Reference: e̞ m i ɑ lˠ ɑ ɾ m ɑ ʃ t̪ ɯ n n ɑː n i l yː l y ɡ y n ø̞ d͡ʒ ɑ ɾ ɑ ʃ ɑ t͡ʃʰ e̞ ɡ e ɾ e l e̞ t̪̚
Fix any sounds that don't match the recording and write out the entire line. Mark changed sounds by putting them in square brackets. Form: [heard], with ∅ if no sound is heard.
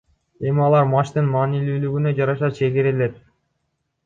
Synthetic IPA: e̞ m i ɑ lˠ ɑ ɾ m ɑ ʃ t̪ ɯ n [m] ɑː n i l yː l y ɡ y n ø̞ d͡ʒ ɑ ɾ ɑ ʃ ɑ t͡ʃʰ e̞ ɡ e ɾ e l e̞ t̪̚